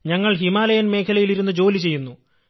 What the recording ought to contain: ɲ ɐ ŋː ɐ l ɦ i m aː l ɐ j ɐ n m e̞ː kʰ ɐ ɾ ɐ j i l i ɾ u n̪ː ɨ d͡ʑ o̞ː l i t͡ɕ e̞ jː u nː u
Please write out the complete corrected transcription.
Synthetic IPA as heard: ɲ ɐ ŋː ɐ ɭ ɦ i m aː l ɐ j ɐ n m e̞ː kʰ ɐ l ɐ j i l i ɾ u n̪ː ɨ d͡ʑ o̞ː l i t͡ɕ e̞ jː u nː u